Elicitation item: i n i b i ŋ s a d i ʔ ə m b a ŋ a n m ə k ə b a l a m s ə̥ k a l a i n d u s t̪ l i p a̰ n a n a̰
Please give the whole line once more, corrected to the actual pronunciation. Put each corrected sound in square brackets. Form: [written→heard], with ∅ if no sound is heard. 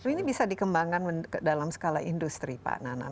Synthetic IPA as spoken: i n i b i [ŋ→∅] s a d i [ʔ→k] ə m b a ŋ a n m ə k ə [b→d] a l a m s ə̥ k a l a i n d u s t̪ [l→ɾ] i p a̰ n a n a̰